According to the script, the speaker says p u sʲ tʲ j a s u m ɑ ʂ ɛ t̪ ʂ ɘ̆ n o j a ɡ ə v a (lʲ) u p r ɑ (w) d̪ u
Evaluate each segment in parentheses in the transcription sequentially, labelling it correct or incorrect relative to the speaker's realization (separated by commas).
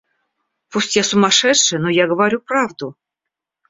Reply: incorrect, incorrect